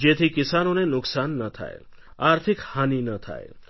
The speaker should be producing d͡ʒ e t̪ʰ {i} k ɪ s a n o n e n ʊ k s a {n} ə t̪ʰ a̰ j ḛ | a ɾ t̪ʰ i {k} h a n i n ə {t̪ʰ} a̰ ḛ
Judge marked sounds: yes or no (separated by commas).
yes, no, yes, yes